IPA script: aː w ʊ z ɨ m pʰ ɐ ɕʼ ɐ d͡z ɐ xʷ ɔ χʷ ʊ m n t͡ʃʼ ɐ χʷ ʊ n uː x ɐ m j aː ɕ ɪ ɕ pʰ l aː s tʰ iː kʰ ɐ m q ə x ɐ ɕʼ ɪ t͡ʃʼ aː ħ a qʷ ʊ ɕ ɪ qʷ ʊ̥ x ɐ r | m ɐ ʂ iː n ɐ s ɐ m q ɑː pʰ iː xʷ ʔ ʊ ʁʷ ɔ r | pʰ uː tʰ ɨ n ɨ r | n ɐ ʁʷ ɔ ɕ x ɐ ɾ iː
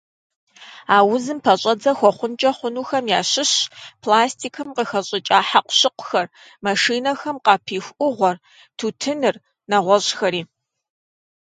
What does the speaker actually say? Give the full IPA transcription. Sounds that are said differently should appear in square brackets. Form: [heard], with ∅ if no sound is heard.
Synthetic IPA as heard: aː w ʊ z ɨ m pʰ ɐ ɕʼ ɐ d͡z ɐ xʷ ɔ χʷ ʊ [∅] n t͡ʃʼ ɐ χʷ ʊ n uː x ɐ m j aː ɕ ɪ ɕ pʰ l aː s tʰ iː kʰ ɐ m q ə x ɐ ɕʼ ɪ t͡ʃʼ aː ħ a qʷ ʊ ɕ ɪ qʷ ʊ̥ x ɐ r | m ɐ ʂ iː n ɐ [x] ɐ m q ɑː pʰ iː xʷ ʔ ʊ ʁʷ ɔ r | [tʰ] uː tʰ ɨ n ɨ r | n ɐ ʁʷ ɔ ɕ x ɐ ɾ iː